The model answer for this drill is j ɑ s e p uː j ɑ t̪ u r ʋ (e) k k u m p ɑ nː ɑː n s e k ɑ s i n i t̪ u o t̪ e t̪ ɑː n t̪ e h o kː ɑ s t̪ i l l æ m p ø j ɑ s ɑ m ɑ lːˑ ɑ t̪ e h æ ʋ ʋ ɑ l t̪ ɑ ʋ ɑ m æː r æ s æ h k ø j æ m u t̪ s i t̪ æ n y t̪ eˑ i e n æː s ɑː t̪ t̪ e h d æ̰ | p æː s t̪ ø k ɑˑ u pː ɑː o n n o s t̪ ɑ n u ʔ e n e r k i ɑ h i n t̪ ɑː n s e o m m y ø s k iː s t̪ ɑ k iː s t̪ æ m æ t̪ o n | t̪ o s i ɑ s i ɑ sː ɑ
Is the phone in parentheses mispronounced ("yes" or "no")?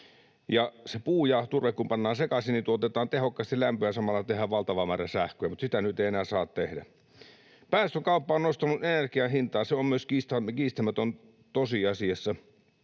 no